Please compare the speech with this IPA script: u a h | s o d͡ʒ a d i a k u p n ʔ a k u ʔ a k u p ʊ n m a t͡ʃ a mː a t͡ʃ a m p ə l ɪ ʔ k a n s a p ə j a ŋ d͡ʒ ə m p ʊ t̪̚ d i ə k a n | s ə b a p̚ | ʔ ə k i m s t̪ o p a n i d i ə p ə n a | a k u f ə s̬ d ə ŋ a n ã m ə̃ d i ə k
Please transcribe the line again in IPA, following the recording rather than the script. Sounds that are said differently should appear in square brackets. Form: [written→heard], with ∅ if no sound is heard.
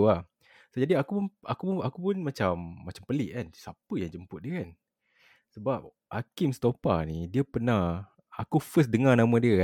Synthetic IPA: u a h | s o d͡ʒ a d i a k u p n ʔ a k u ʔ a k u p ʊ n m a t͡ʃ a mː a t͡ʃ a m p ə l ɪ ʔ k a n s a p ə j a ŋ d͡ʒ ə m p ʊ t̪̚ d i ə k a n | s ə b a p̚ | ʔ [ə→a] k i m s t̪ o p a n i d i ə p ə n a | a k u f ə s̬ d ə ŋ a n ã m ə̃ d i ə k